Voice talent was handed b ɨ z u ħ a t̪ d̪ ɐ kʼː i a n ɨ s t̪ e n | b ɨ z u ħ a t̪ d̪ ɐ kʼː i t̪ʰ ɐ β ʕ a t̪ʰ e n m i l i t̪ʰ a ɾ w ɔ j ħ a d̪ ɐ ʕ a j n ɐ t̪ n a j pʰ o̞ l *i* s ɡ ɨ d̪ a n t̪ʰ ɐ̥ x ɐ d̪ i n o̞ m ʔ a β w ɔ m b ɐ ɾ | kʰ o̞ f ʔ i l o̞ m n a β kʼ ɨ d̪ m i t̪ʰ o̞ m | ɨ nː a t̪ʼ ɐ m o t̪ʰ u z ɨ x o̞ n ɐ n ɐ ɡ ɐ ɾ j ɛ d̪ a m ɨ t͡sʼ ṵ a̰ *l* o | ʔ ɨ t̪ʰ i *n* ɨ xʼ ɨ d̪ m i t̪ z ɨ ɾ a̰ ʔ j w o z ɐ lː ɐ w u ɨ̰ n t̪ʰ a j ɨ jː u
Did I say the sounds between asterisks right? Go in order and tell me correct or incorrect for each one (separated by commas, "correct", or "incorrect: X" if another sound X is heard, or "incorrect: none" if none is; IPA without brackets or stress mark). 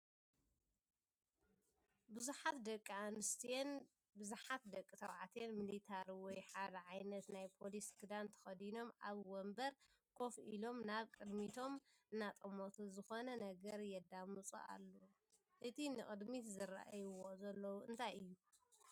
correct, incorrect: lː, correct